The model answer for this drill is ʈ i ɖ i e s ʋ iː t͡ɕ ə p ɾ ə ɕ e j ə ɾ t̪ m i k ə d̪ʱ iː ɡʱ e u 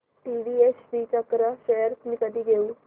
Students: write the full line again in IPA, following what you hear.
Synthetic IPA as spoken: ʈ i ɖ i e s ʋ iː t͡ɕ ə k ɾ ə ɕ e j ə ɾ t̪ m i k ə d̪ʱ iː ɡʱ e u